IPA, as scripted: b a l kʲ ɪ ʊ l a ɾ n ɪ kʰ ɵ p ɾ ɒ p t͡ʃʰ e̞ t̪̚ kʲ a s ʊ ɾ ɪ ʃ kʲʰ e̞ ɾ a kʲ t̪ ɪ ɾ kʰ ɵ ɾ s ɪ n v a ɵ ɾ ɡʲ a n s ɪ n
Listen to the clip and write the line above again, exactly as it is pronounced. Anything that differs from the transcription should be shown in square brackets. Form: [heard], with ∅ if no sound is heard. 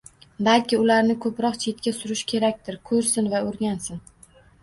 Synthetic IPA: b a l kʲ ɪ ʊ l a ɾ n ɪ kʰ ɵ p ɾ ɒ [q] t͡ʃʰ e̞ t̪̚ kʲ a s ʊ ɾ ɪ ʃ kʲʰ e̞ ɾ a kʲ t̪ ɪ ɾ kʰ ɵ ɾ s ɪ n v a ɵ ɾ ɡʲ a n s ɪ n